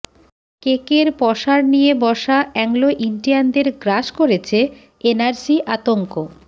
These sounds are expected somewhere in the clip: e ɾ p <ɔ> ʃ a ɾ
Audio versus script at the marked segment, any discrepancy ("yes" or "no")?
no